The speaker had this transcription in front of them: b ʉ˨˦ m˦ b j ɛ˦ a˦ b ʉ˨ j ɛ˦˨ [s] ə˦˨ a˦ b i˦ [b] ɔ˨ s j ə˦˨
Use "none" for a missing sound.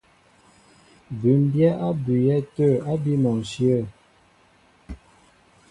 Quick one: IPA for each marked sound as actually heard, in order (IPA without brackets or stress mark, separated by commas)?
t, m